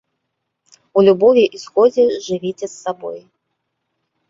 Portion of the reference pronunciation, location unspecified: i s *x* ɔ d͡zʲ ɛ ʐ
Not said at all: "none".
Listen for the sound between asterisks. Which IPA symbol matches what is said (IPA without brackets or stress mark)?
x